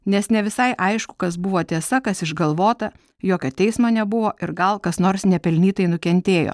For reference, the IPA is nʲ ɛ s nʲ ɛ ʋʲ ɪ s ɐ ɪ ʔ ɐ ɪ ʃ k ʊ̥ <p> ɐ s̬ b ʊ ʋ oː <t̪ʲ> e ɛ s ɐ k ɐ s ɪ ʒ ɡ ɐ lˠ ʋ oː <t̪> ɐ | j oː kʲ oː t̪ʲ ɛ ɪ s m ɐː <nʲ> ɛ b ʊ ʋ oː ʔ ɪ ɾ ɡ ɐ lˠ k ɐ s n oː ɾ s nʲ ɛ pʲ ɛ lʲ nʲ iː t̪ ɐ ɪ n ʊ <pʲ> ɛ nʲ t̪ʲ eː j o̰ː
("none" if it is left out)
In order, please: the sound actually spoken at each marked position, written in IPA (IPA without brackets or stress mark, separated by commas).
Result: k, t̪ʲ, t̪, nʲ, kʲ